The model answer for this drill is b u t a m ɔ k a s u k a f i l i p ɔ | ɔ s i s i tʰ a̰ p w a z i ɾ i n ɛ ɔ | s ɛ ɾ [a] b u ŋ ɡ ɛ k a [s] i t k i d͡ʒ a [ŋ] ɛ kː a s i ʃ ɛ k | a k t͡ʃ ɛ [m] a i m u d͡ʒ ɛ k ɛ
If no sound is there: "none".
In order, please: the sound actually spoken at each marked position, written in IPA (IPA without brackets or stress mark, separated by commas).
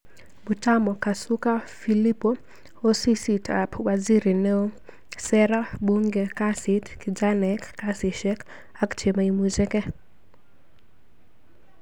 a, s, n, m